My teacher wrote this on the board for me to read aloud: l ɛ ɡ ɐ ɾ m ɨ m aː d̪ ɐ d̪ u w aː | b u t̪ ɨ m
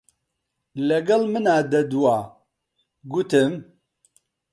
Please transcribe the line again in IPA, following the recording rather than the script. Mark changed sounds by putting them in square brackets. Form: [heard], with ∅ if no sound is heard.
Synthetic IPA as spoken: l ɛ ɡ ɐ [l] m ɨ [n] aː d̪ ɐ d̪ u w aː | [ɡ] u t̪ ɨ m